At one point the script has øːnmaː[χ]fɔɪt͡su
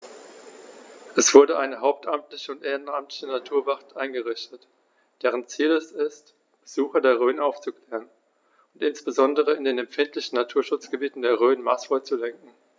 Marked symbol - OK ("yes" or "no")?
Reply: no